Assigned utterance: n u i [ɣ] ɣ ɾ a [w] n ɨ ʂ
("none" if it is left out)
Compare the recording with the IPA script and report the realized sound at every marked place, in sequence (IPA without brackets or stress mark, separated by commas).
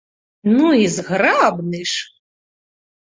z, b